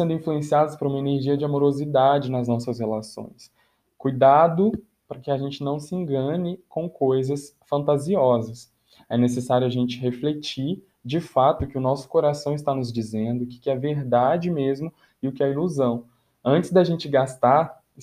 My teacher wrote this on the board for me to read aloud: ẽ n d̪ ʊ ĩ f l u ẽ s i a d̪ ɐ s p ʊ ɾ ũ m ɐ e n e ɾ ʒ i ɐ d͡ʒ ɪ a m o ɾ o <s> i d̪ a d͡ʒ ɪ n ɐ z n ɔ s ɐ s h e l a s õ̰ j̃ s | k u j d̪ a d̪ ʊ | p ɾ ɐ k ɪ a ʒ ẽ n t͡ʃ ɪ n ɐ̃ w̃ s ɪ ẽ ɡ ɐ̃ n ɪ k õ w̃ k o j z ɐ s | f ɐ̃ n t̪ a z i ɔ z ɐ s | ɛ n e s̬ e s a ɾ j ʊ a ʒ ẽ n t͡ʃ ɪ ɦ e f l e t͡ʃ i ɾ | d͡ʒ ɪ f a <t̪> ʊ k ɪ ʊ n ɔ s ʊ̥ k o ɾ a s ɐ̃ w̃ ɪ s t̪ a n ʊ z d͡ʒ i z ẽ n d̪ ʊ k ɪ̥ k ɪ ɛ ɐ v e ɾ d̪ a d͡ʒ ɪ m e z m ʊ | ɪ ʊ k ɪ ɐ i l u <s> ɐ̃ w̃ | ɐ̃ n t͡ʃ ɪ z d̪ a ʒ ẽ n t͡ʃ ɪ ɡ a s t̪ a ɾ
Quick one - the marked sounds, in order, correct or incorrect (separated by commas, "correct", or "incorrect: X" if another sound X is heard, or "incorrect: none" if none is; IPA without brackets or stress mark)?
incorrect: z, correct, incorrect: z